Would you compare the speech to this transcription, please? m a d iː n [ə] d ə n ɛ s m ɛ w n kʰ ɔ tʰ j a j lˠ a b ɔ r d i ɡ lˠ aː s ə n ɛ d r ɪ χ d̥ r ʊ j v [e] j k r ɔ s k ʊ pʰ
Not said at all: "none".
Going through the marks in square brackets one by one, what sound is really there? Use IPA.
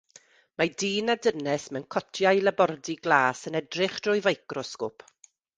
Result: a, a

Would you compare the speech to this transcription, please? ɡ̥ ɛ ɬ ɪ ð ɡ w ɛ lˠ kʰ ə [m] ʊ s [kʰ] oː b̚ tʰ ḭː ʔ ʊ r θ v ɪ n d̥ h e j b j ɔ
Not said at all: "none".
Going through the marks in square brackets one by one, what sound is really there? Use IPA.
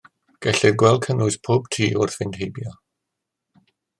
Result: n, pʰ

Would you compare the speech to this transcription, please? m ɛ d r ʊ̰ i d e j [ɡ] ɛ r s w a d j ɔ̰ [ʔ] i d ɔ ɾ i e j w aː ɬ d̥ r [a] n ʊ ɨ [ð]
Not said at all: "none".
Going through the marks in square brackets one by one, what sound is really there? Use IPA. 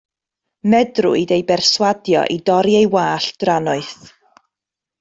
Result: b, ʔ, a, θ

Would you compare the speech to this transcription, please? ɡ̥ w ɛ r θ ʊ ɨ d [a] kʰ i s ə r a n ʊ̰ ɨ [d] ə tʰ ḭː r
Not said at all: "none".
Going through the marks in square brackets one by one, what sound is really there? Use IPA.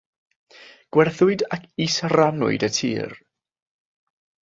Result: a, d

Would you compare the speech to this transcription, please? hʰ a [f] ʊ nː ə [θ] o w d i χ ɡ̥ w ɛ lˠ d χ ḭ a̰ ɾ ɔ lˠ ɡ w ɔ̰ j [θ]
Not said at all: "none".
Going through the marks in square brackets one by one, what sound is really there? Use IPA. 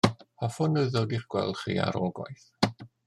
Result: f, ð, θ

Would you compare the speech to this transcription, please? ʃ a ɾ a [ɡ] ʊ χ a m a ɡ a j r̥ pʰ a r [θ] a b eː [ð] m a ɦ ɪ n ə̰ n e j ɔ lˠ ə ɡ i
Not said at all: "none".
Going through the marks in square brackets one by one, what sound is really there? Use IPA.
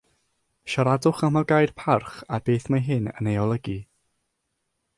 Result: d, χ, θ

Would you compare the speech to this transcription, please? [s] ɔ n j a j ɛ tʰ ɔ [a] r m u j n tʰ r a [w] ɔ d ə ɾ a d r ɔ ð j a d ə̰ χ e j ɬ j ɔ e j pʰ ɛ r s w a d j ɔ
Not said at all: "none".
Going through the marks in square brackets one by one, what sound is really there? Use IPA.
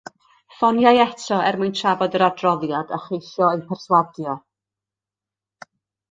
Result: f, ɛ, v

